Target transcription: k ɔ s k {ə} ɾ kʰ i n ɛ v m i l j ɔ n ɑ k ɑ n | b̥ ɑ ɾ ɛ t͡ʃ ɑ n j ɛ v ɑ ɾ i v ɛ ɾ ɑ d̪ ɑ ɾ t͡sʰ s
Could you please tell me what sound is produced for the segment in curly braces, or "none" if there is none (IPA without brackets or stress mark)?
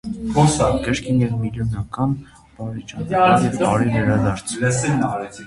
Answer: ə